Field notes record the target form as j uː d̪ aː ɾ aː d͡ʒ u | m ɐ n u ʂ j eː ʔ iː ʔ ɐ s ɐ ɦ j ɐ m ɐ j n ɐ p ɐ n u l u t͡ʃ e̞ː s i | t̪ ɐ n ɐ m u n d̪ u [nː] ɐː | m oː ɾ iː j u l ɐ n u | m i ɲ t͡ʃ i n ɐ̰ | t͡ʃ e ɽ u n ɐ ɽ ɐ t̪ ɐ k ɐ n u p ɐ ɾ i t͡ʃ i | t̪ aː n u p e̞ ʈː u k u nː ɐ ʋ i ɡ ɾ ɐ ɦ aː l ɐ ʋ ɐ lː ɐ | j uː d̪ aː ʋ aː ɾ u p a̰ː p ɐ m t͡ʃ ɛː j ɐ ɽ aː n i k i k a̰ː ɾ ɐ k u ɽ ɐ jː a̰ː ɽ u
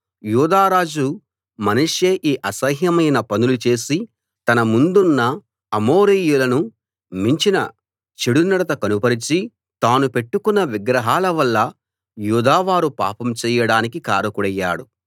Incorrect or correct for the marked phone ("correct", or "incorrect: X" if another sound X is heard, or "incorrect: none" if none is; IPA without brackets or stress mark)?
correct